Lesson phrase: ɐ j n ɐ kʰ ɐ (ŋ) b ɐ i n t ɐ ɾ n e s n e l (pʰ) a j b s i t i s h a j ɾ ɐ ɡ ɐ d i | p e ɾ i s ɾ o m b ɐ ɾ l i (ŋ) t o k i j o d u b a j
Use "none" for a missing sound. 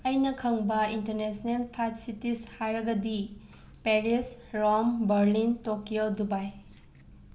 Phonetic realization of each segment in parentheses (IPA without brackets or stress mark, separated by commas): ŋ, pʰ, n